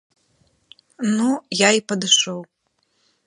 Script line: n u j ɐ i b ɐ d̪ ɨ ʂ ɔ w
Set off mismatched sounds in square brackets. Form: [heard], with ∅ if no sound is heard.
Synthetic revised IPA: n u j [a] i [p] ɐ d̪ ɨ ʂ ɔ w